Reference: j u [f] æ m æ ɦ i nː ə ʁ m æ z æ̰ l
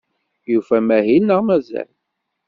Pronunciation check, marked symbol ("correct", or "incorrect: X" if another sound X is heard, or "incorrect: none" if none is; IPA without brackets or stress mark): correct